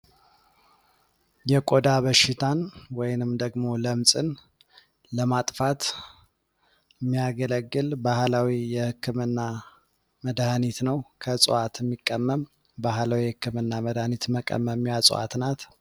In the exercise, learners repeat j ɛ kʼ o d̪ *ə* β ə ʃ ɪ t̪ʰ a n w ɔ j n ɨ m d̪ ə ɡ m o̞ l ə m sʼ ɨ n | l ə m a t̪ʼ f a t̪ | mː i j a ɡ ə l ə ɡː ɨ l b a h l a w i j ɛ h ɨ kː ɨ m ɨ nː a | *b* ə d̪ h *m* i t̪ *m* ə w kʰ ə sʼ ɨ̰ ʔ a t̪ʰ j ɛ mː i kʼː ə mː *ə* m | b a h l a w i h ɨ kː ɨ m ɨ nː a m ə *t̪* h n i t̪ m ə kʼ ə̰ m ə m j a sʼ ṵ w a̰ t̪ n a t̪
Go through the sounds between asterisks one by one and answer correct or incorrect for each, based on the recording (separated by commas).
incorrect, incorrect, incorrect, incorrect, correct, incorrect